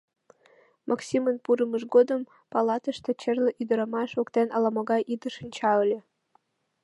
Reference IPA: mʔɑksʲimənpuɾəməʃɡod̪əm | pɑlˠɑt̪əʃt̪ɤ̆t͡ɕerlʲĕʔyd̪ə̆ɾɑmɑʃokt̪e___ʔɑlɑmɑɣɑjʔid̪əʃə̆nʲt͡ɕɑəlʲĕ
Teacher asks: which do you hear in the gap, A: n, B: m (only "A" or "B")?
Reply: A